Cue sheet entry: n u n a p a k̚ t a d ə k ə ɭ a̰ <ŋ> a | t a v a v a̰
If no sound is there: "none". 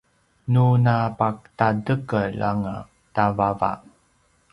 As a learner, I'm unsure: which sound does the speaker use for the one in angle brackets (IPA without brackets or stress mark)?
ŋ